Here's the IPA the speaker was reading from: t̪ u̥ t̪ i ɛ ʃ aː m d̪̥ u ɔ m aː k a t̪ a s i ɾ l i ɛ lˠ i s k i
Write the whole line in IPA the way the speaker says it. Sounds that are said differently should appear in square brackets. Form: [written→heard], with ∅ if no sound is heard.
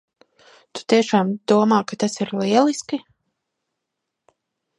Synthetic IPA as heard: t̪ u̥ t̪ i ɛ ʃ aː m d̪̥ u ɔ m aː k a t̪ a s i ɾ l i ɛ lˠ i s k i

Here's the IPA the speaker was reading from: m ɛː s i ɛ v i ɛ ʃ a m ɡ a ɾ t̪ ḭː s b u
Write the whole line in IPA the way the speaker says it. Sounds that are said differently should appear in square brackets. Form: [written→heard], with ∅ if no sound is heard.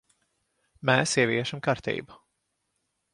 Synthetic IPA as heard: m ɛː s i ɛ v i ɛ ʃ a m [ɡ→k] a ɾ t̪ ḭː [s→∅] b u

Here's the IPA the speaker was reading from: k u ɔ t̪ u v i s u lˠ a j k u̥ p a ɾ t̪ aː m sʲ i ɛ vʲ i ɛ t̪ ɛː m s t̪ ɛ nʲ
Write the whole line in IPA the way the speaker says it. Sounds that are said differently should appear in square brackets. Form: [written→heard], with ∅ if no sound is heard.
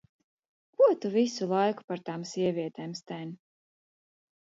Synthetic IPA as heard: k u ɔ t̪ u v i s u lˠ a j k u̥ p a ɾ t̪ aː m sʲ i ɛ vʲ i ɛ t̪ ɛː m s t̪ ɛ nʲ

